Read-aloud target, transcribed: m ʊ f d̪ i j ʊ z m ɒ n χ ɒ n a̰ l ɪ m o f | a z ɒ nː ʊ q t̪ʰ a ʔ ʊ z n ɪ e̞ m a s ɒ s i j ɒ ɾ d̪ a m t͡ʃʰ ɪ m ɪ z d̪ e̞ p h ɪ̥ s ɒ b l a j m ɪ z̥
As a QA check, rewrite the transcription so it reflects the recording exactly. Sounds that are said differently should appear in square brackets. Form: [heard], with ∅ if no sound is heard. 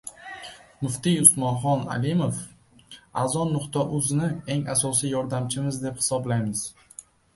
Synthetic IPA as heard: m ʊ f [t̪] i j ʊ [s] m ɒ n χ ɒ n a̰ l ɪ m o f | a z ɒ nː ʊ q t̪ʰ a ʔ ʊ z n ɪ e̞ [ŋ] a s ɒ s i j ɒ ɾ d̪ a m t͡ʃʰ ɪ m ɪ z d̪ e̞ p h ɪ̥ s ɒ b l a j m ɪ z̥